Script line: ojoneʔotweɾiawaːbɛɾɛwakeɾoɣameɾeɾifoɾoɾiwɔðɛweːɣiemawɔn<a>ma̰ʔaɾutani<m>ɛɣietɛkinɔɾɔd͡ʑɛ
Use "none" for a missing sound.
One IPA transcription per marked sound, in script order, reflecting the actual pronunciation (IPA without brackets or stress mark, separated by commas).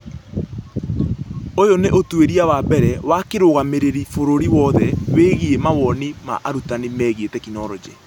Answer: i, m